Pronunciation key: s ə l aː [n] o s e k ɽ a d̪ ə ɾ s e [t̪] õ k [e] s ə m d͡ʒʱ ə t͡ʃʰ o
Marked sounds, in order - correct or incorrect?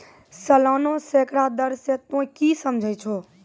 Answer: correct, correct, incorrect

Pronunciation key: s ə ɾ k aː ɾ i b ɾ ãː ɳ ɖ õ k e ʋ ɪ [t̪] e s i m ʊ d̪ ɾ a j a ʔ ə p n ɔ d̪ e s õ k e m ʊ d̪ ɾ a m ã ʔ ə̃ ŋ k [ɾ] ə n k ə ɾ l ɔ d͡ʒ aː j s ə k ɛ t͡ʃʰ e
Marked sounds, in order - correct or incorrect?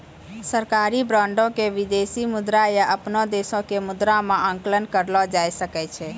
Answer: incorrect, incorrect

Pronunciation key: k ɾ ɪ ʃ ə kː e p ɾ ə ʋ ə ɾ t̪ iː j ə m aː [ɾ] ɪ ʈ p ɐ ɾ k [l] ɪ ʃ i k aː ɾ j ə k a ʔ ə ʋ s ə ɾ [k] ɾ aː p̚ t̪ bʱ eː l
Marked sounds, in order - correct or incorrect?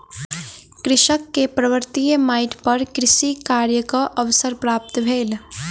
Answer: incorrect, incorrect, incorrect

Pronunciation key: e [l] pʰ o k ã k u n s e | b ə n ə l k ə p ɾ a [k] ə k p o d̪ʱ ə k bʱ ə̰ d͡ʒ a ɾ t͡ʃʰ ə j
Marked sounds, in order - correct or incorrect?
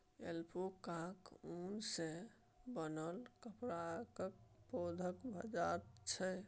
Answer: correct, correct

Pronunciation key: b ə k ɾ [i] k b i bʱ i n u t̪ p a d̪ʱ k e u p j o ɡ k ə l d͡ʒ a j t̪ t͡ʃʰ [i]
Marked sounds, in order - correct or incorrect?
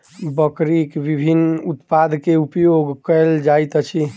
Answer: correct, correct

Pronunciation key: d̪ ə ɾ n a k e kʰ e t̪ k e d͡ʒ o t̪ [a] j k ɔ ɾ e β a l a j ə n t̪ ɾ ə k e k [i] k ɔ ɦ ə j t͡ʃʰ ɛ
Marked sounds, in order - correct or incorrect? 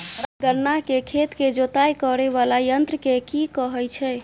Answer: correct, correct

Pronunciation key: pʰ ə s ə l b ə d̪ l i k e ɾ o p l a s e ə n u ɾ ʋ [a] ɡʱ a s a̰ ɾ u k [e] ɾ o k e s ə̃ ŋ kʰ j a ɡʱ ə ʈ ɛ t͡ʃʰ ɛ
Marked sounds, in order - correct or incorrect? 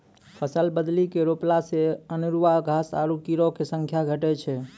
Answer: correct, incorrect

